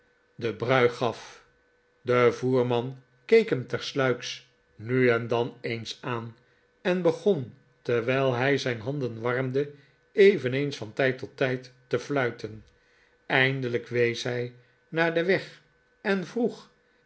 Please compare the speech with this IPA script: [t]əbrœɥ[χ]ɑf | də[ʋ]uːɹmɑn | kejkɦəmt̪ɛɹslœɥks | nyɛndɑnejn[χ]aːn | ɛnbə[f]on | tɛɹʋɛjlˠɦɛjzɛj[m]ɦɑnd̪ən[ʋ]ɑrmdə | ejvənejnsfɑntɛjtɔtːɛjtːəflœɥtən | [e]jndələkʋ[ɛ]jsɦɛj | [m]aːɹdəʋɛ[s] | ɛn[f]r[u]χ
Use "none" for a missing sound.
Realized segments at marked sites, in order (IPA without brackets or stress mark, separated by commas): d, χ, v, s, χ, n, ʋ, ɛ, e, n, χ, v, u